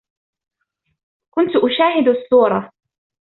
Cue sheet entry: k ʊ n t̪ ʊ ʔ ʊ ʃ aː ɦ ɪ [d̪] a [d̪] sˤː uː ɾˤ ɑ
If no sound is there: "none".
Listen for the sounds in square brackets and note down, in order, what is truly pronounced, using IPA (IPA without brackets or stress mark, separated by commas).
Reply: d̪, none